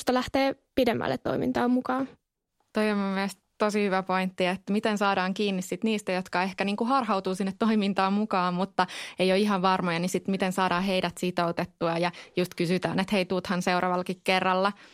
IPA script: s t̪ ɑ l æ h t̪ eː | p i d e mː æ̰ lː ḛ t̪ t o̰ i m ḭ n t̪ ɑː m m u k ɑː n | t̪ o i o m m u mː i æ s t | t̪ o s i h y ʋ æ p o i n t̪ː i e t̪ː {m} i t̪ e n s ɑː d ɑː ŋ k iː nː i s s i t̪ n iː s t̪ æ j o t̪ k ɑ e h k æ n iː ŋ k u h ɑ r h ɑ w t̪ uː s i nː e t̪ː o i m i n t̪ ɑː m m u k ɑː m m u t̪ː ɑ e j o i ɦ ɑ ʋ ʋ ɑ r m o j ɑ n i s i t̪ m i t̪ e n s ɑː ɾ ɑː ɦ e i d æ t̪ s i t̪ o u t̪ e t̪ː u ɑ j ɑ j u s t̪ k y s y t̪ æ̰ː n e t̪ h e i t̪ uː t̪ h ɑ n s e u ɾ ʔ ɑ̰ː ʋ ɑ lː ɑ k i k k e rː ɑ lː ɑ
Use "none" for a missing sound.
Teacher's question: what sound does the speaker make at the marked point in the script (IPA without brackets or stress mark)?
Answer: m